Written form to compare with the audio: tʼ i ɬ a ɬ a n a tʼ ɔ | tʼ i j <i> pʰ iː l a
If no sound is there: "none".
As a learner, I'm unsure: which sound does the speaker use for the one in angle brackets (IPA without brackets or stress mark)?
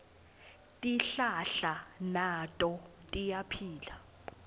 a